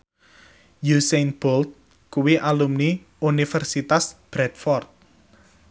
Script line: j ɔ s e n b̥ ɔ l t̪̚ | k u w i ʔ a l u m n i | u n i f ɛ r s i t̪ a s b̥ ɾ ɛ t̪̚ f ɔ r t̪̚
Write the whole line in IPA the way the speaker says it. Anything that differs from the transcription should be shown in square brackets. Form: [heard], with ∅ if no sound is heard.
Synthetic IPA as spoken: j [u] s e n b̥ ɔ l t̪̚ | k u w i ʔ a l u m n i | u n i f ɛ r s i t̪ a s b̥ ɾ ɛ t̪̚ f ɔ r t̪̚